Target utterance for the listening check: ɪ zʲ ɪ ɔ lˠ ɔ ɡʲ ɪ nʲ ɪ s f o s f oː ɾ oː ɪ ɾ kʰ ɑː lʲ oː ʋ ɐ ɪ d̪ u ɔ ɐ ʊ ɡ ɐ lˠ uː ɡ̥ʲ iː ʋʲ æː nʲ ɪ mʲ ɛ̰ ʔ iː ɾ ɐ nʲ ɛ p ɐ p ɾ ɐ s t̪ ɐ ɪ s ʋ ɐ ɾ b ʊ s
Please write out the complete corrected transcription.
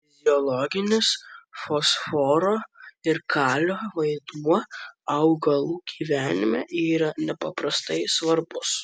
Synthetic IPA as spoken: ɪ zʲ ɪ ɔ lˠ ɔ ɡʲ ɪ nʲ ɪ s f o s f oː ɾ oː ɪ ɾ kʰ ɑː lʲ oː ʋ ɐ ɪ d̪ u ɔ ɐ ʊ ɡ ɐ lˠ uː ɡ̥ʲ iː ʋʲ æː nʲ ɪ mʲ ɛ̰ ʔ iː ɾ ɐ nʲ ɛ p ɐ p ɾ ɐ s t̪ ɐ ɪ s ʋ ɐ ɾ b ʊ s